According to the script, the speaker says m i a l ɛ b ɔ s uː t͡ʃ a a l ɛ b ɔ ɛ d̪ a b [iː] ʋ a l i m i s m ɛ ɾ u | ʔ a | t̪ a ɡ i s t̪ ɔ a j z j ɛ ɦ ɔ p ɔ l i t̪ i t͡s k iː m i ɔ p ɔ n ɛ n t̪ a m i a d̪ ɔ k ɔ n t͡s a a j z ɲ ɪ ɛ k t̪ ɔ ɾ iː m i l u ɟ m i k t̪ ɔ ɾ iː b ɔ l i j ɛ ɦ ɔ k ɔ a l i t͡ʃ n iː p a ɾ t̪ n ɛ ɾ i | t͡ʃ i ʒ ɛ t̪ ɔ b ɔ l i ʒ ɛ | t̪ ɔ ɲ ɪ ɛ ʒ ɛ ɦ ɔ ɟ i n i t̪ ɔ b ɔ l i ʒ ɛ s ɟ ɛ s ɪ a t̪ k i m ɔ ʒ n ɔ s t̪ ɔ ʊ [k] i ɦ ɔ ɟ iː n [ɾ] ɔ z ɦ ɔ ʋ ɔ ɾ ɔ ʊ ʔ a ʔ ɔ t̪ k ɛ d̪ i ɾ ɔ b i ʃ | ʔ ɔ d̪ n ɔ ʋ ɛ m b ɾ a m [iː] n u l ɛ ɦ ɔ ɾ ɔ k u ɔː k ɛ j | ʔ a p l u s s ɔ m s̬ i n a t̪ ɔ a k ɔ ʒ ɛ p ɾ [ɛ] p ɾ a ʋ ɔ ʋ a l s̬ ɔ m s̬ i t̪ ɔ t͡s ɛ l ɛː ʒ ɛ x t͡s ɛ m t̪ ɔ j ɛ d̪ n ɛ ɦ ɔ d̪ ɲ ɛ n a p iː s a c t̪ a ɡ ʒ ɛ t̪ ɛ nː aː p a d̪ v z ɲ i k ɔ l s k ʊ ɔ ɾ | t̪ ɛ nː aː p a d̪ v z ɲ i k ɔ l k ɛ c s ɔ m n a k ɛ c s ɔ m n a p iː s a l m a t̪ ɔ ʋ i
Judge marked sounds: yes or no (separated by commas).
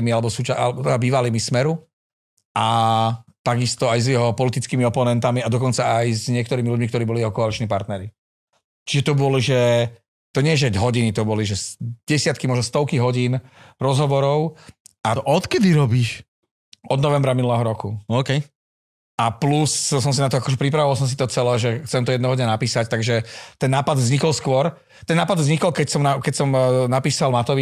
yes, yes, yes, no, no